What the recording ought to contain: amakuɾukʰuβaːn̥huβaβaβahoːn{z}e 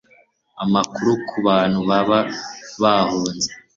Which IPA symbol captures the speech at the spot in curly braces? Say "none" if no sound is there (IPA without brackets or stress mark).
z